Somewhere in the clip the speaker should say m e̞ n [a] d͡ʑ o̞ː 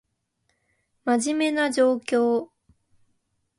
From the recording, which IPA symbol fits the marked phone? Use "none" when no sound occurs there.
a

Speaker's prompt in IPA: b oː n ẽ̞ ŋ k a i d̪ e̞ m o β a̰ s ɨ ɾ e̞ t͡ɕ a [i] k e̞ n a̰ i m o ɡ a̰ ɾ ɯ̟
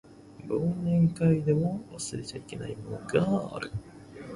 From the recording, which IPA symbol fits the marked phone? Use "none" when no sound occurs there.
i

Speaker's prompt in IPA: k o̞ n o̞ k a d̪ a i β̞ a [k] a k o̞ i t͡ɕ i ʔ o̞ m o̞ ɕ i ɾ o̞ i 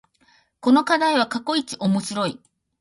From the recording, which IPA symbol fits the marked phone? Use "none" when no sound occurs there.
k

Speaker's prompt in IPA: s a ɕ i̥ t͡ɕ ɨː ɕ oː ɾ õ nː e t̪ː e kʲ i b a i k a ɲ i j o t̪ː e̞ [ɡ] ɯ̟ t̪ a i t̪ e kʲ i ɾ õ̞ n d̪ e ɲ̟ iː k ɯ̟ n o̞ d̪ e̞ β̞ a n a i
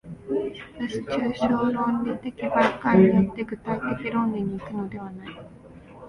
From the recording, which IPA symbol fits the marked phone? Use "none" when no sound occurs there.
ɡ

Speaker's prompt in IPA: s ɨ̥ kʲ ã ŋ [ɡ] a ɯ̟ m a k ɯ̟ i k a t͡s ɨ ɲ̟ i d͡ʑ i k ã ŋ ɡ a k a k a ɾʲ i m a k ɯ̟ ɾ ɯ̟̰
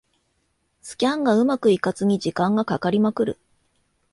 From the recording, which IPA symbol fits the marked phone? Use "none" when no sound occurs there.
ɡ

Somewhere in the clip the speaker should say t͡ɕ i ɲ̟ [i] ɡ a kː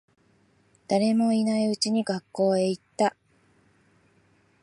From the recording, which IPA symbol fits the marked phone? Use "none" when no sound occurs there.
i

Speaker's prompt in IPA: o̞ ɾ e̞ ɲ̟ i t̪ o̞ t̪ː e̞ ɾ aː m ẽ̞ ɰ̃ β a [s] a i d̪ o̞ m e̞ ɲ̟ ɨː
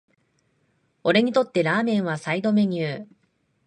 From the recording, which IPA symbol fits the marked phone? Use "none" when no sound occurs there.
s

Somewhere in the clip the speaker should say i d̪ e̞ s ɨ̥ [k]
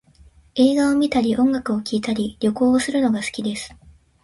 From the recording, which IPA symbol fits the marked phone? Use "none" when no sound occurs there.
none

